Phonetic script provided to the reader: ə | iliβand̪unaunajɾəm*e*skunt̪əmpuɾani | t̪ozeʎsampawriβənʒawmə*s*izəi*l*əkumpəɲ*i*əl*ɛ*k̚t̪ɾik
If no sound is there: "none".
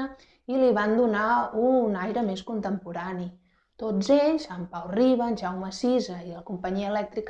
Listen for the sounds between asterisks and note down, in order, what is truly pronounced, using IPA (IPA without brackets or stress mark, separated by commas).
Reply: e, s, l, i, ɛ